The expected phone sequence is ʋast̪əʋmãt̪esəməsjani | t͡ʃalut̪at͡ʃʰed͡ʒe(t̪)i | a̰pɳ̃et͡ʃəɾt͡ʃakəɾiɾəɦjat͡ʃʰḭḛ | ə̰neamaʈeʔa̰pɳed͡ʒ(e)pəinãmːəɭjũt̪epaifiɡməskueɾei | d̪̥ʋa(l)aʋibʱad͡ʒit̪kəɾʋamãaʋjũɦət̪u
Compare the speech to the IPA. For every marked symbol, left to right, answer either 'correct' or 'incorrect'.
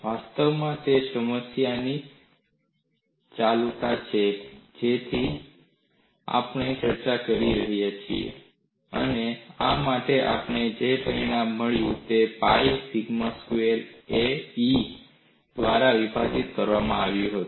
incorrect: t̪ʰ, correct, incorrect: ɾ

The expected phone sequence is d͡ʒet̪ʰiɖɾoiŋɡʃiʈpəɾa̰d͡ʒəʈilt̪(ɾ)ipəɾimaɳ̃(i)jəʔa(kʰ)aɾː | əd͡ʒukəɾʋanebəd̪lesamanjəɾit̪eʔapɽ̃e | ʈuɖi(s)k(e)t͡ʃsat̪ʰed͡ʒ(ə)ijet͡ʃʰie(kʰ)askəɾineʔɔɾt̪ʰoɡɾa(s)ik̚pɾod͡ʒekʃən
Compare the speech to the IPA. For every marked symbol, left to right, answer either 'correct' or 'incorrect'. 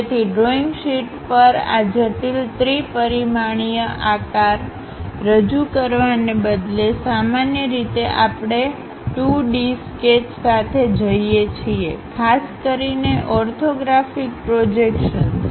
correct, correct, incorrect: k, correct, correct, correct, correct, incorrect: f

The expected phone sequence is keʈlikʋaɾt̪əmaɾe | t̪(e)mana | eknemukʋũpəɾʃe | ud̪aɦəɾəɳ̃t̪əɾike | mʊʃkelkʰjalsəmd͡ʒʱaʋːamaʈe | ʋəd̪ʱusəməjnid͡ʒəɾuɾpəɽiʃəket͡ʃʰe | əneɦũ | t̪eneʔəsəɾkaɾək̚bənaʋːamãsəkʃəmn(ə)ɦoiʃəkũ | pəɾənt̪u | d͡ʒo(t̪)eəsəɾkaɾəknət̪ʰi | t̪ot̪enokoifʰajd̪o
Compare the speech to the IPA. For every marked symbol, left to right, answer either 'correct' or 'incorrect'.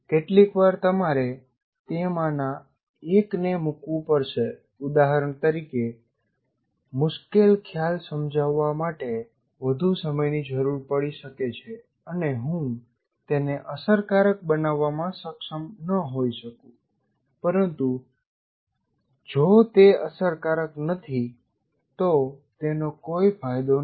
correct, correct, correct

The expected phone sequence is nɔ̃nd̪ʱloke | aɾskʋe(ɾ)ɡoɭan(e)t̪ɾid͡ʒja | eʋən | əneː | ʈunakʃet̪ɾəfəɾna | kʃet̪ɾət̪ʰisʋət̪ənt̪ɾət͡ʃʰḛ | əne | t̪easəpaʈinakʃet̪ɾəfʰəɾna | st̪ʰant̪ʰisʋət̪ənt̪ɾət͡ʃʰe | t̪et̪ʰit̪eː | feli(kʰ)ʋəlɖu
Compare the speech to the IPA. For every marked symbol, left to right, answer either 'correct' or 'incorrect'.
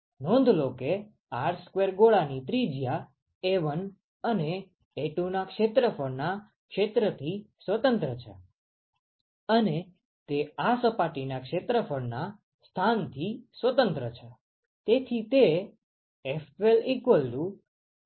correct, incorrect: i, incorrect: k

